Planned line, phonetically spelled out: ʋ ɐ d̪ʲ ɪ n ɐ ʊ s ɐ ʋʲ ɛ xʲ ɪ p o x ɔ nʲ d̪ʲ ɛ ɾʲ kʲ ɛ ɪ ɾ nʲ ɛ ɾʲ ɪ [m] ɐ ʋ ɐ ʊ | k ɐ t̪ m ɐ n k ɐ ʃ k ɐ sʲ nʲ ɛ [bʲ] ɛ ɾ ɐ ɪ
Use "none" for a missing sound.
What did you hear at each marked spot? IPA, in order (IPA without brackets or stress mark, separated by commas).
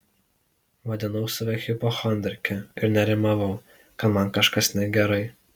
m, ɡʲ